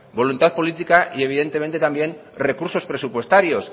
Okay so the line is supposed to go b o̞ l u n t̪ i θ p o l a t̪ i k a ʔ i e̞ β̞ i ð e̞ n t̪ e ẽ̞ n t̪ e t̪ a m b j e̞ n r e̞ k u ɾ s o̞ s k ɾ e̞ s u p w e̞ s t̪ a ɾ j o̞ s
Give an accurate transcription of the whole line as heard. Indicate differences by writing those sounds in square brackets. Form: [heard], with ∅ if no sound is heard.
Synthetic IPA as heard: b o̞ l u n t̪ [a] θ p o l [i] t̪ i k a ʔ i e̞ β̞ i ð e̞ n t̪ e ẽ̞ n t̪ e t̪ a m b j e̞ n r e̞ k u ɾ s o̞ s [p] ɾ e̞ s u p w e̞ s t̪ a ɾ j o̞ s